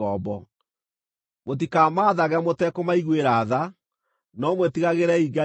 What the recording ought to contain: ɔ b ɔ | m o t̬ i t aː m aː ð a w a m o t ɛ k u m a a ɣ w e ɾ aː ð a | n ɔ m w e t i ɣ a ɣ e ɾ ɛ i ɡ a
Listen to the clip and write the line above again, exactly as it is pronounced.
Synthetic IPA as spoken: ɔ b ɔ | m o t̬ i k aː m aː ð a ɣ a m o t ɛ k o m a i ɣ w e ɾ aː ð a | n ɔ m w e t i ɣ a ɣ e ɾ ɛ i ɡ a